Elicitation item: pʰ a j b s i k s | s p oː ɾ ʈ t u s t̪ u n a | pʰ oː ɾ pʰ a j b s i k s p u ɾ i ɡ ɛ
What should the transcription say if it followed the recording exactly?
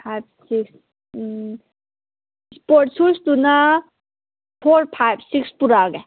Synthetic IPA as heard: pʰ a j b s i k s | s p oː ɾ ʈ s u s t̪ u n a | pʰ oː ɾ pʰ a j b s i k s p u ɾ a ɡ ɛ

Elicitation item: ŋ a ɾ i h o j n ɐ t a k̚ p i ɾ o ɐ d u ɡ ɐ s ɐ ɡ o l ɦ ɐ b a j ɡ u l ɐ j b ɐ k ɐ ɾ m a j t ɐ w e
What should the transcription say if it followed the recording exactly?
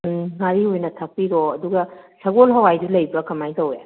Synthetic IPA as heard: ŋ a ɾ i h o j n ɐ tʰ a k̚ p i ɾ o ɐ d u ɡ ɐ s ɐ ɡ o l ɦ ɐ w a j d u l ɐ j b ɐ k ɐ m a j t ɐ w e

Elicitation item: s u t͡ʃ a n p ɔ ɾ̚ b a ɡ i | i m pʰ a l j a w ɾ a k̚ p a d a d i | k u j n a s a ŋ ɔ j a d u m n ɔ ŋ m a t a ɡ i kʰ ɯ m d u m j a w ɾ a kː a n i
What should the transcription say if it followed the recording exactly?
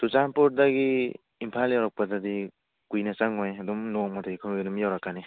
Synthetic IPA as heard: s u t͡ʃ a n p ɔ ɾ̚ d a ɡ i | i m pʰ a l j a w ɾ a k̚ p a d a d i | k u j n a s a ŋ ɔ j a d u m n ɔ ŋ m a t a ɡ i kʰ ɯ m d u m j a w ɾ a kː a n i

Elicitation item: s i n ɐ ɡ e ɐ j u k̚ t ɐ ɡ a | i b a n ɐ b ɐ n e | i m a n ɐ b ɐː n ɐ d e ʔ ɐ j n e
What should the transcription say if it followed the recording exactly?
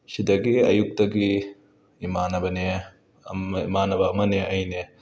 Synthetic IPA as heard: s i d ɐ ɡ i ɐ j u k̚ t ɐ ɡ i | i m a n ɐ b ɐ n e | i m a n ɐ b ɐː m ɐ n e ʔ ɐ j n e

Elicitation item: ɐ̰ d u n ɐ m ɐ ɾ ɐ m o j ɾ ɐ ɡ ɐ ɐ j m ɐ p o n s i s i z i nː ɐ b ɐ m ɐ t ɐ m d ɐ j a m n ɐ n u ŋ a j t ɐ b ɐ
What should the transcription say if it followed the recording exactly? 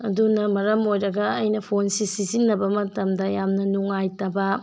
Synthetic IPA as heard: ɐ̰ d u n ɐ m ɐ ɾ ɐ m o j ɾ ɐ ɡ ɐ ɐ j n ɐ pʰ o n s i s i z i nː ɐ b ɐ m ɐ t ɐ m d ɐ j a m n ɐ n u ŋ a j t ɐ b ɐ

